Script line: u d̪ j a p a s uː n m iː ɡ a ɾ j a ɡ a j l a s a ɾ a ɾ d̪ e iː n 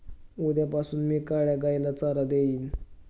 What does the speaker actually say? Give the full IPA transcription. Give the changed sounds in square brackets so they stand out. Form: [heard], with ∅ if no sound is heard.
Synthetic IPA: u d̪ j a p a s uː n m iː [k] a [ɭ] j a ɡ a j l a [t͡s] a ɾ a [∅] d̪ e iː n

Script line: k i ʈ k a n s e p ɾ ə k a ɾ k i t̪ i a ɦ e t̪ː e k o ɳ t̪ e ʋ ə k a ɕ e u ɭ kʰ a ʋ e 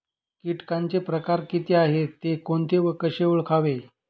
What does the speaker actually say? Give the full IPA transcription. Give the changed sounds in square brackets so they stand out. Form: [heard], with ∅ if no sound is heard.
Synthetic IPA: k i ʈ k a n [t͡s] e p ɾ ə k a ɾ k i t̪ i a ɦ e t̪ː e k o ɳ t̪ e ʋ ə k [ə] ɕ e u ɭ kʰ a ʋ e

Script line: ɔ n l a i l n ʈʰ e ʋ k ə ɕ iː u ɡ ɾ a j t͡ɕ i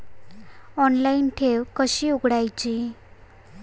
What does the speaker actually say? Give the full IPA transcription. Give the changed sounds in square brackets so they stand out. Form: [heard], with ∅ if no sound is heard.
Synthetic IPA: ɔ n l a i [∅] n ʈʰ e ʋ k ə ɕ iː u ɡ [ɽ] a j t͡ɕ i

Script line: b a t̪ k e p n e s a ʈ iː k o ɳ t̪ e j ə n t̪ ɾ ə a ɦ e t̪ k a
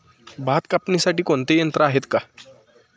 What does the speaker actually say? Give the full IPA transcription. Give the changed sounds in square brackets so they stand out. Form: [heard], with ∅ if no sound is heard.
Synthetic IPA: b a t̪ k [a] p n [i] s a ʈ iː k o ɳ t̪ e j ə n t̪ ɾ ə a ɦ e t̪ k a

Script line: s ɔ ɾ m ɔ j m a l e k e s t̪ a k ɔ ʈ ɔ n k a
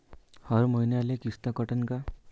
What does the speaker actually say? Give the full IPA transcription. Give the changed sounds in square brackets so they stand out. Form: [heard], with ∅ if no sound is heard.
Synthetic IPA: [h] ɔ ɾ m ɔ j [n] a l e k [i] s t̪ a k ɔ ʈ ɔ n k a

